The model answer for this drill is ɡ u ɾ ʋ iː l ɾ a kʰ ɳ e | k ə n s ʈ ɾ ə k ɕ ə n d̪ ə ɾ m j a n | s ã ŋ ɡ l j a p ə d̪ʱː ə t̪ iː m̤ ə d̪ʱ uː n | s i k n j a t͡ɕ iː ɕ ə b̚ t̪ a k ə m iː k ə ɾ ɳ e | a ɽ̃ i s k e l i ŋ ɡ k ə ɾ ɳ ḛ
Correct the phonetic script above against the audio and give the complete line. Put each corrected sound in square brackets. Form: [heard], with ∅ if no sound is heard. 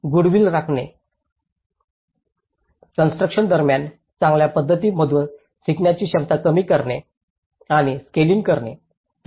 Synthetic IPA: ɡ u [ɽ] ʋ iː l ɾ a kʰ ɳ e | k ə n s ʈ ɾ ə k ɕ ə n d̪ ə ɾ m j a n | [t͡s] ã ŋ ɡ l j a p ə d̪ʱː ə t̪ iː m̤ ə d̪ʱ uː n | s i k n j a t͡ɕ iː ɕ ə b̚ t̪ a k ə m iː k ə ɾ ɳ e | a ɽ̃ i s k e l i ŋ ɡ k ə ɾ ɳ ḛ

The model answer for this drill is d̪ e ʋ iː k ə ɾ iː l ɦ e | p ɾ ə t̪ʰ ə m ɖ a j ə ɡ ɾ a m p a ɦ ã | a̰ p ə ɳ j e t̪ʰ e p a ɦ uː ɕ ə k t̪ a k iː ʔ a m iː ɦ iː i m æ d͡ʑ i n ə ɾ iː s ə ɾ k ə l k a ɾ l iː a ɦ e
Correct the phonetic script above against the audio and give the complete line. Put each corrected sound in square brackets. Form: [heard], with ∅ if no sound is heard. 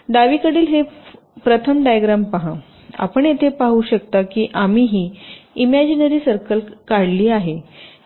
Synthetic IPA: d̪ [a] ʋ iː k ə [ɽ] iː l ɦ e | p ɾ ə t̪ʰ ə m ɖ a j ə ɡ ɾ a m p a ɦ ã | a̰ p ə ɳ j e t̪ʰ e p a ɦ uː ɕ ə k t̪ a k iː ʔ a m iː ɦ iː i m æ d͡ʑ i n ə ɾ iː s ə ɾ k ə l k a [ɽ] l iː a ɦ e

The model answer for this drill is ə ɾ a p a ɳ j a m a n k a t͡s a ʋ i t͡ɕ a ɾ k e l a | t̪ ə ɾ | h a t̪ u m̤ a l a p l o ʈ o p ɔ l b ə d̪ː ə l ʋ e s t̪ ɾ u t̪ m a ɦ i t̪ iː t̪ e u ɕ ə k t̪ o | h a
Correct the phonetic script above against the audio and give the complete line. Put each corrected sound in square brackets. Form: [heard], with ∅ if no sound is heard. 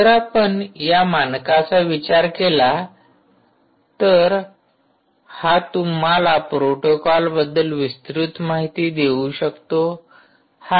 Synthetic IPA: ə ɾ a p [ə] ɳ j a m a n k a t͡s a ʋ i t͡ɕ a ɾ k e l a | t̪ ə ɾ | h a t̪ u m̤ a l a p [ɾ] o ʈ o [k] ɔ l b ə d̪ː ə l ʋ [i] s t̪ ɾ u t̪ m a ɦ i t̪ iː [d̪] e u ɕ ə k t̪ o | h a

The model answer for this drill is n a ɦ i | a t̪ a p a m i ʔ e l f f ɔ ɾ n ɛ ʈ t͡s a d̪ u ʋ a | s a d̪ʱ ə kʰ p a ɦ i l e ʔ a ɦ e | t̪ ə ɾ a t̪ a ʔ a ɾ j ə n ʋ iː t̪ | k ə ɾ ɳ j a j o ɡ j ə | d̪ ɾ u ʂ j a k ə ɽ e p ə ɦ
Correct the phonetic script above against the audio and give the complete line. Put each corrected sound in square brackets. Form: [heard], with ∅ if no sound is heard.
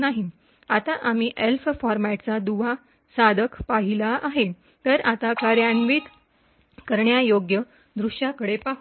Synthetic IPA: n a ɦ i | a t̪ a [ʔ] a m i ʔ e l f f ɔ ɾ [m] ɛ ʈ t͡s a d̪ u ʋ a | s a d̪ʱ ə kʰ p a ɦ i l [a] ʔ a ɦ e | t̪ ə ɾ a t̪ a [k] a ɾ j [a] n ʋ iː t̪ | k ə ɾ ɳ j a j o ɡ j ə | d̪ ɾ u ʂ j a k ə ɽ e p [a] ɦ

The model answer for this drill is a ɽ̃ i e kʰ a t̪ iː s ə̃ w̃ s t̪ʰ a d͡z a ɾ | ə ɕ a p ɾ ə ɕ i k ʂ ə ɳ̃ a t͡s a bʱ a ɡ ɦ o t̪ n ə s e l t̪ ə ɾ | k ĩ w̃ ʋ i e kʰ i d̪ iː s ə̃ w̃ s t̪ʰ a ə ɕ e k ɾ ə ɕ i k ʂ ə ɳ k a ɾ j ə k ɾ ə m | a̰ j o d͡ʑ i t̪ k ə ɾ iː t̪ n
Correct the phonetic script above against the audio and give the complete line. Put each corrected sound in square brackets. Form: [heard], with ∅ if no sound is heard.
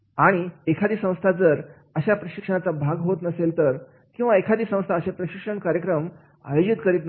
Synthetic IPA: a ɽ̃ i e kʰ a [d̪] iː s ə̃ w̃ s t̪ʰ a d͡z [ə] ɾ | ə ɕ a p ɾ ə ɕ i k ʂ ə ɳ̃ a t͡s a bʱ a ɡ ɦ o t̪ n ə s e l t̪ ə ɾ | k ĩ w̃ ʋ [a] e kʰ [a] d̪ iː s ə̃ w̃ s t̪ʰ a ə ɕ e [p] ɾ ə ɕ i k ʂ ə ɳ k a ɾ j ə k ɾ ə m | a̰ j o d͡ʑ i t̪ k ə ɾ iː t̪ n

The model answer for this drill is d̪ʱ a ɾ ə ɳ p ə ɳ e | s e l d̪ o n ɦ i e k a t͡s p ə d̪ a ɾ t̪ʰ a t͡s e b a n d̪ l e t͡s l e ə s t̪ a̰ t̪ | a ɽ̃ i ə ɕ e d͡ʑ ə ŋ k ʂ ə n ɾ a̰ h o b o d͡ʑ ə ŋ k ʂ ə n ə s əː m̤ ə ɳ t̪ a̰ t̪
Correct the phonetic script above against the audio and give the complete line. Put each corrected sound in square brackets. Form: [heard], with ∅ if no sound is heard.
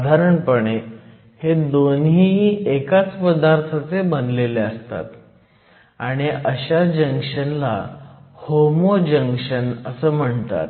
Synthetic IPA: d̪ʱ a ɾ ə ɳ p ə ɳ e | [h] e [∅] d̪ o n ɦ i e k a t͡s p ə d̪ a ɾ t̪ʰ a t͡s e b [ə] n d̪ l e [∅] l e ə s t̪ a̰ t̪ | a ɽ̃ i ə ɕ [a] d͡ʑ ə ŋ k ʂ ə n [l] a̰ h o [m] o d͡ʑ ə ŋ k ʂ ə n ə s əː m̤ ə ɳ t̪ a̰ t̪

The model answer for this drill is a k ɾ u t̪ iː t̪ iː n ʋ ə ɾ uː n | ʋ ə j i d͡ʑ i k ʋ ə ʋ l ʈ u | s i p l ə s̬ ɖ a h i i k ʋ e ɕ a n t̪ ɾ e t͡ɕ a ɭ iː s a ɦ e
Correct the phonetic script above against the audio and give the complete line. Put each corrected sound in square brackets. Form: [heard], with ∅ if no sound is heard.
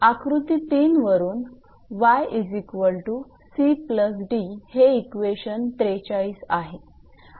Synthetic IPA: a k ɾ u t̪ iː t̪ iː n ʋ ə ɾ uː n | ʋ [a] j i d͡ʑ i k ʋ ə [∅] l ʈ u | s i p l ə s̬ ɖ [i] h [e] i k ʋ e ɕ [ə] n t̪ ɾ e t͡ɕ a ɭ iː s a ɦ e

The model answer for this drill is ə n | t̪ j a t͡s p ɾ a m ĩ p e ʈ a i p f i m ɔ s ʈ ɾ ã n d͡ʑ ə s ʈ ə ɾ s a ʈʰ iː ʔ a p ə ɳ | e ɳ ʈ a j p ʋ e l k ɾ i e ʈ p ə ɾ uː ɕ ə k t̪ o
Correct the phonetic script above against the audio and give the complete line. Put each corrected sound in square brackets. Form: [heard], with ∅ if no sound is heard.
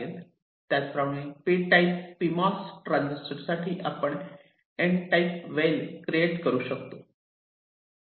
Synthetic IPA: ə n | t̪ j a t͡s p ɾ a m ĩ p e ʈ a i p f i m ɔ s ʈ ɾ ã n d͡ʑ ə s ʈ ə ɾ s a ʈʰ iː ʔ a p ə ɳ | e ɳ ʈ a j p ʋ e l k ɾ i e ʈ [k] ə ɾ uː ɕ ə k t̪ o

